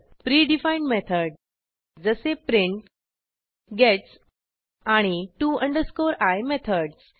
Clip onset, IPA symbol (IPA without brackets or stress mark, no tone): p